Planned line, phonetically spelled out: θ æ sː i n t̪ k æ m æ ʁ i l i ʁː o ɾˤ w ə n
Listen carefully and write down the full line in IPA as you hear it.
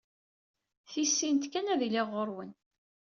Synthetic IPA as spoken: θ i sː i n t̪ k æ n æ ð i l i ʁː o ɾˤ w ə n

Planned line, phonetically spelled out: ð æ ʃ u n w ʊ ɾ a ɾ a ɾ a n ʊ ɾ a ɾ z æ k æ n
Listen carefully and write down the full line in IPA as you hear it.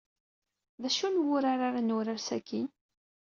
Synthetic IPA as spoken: ð æ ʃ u n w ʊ ɾ a ɾ a ɾ a n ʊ ɾ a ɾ s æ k i n

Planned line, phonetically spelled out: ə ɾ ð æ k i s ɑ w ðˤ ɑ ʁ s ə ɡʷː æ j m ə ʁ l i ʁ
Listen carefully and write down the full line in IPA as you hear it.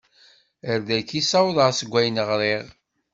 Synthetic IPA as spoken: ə ɾ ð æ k i s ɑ w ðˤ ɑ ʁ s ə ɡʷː æ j n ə ʁ ɾ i ʁ

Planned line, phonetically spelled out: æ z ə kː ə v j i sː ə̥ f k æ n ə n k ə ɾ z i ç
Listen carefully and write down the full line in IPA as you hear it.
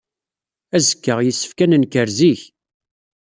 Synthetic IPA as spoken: æ z ə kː ə ʁ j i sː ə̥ f k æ n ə n k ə ɾ z i ç

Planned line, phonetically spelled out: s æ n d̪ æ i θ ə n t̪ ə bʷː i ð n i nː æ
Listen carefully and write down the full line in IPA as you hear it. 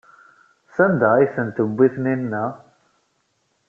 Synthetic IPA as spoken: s æ n d̪ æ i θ ə n t̪ ə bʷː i θ n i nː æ

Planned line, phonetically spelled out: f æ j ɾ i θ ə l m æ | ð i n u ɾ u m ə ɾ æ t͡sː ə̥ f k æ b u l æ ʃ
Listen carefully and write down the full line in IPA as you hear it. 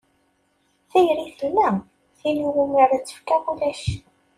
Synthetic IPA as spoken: θ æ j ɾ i θ ə l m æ | θ i n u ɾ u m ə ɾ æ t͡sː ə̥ f k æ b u l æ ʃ

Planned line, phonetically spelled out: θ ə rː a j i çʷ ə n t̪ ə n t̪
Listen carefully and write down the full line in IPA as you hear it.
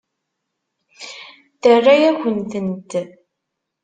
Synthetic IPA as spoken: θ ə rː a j æ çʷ ə n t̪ ə n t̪

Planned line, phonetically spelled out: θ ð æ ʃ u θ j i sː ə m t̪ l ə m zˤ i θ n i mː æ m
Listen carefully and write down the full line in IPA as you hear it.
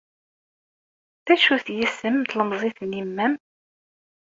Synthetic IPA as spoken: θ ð æ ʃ u θ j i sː ə m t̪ l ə m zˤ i θ n i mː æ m

